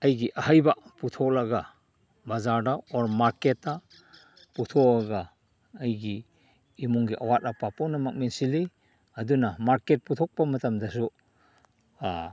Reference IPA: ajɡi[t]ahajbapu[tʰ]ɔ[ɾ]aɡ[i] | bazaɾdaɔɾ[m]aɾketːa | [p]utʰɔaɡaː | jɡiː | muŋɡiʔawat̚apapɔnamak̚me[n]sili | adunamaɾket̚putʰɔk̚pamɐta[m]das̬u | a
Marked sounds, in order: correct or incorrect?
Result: incorrect, correct, incorrect, incorrect, correct, correct, correct, correct

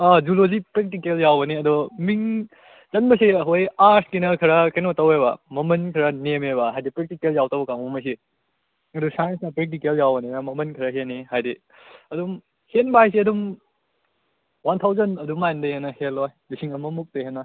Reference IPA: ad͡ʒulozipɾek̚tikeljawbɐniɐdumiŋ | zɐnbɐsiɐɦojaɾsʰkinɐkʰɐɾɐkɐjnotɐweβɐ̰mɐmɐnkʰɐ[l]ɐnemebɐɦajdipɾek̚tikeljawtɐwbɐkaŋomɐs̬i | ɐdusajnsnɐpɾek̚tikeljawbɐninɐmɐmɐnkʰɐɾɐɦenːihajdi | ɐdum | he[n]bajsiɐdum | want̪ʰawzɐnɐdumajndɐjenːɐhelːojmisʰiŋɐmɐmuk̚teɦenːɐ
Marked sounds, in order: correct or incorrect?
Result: incorrect, correct

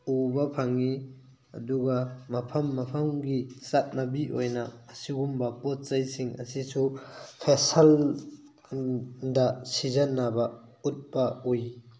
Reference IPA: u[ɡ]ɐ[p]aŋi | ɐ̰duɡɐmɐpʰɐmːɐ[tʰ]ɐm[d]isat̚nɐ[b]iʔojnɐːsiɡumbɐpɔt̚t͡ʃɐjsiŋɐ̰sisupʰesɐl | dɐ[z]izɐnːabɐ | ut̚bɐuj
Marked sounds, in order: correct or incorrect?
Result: incorrect, incorrect, incorrect, incorrect, correct, incorrect

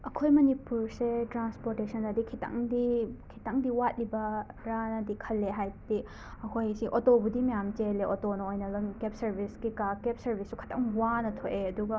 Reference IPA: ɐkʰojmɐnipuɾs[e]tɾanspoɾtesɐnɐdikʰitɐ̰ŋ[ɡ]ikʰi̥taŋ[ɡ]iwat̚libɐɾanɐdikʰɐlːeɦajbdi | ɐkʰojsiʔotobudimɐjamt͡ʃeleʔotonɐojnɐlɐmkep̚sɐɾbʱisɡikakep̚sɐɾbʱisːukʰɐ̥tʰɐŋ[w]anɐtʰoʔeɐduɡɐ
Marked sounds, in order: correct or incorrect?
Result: correct, incorrect, incorrect, correct

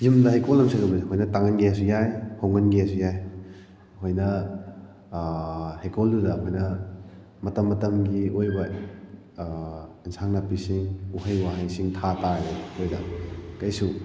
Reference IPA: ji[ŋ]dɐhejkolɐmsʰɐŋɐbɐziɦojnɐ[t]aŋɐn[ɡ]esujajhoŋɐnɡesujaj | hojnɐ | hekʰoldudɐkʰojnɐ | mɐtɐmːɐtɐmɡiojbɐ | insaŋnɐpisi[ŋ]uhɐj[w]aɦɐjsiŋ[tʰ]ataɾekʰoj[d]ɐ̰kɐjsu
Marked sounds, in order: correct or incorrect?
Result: incorrect, correct, correct, correct, correct, correct, correct

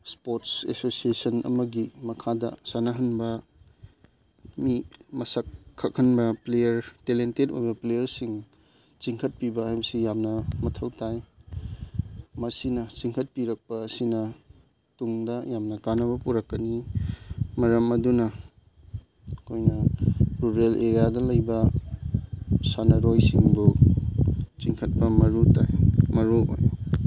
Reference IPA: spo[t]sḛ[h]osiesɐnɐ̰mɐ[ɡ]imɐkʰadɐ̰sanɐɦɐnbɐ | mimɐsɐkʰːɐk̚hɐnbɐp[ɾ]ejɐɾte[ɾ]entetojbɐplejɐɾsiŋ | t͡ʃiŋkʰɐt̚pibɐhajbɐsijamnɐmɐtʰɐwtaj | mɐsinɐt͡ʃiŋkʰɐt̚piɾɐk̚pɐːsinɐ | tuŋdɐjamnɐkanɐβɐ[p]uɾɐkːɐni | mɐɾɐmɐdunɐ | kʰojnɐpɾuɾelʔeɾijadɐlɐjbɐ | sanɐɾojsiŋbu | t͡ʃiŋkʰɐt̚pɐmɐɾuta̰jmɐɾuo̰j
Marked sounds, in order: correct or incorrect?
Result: correct, incorrect, correct, incorrect, incorrect, correct

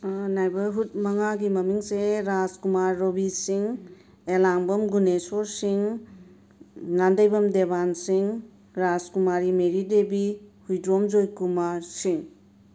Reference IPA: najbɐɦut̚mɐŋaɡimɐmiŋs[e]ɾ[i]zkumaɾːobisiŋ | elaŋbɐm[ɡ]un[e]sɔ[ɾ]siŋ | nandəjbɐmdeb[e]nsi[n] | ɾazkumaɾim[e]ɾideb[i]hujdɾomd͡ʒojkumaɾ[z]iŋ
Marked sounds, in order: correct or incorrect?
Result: correct, incorrect, correct, correct, correct, incorrect, incorrect, correct, correct, incorrect

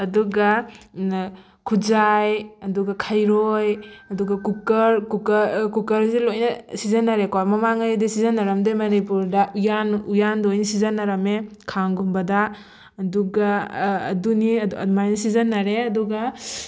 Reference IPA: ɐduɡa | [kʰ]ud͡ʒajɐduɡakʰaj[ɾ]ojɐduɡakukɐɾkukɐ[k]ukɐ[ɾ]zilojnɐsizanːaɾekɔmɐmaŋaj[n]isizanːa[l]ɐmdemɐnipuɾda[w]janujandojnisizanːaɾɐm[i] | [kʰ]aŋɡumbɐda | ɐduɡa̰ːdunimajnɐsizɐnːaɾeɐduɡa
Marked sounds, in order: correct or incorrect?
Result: correct, correct, correct, correct, incorrect, incorrect, incorrect, incorrect, correct

